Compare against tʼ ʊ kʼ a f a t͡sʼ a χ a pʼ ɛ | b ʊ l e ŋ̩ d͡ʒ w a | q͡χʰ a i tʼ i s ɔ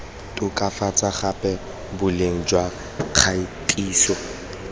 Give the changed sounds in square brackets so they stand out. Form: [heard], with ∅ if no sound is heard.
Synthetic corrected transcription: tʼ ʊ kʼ a f a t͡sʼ a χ a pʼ ɛ | b ʊ l e ŋ̩ d͡ʒ w a | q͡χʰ a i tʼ [iː] s ɔ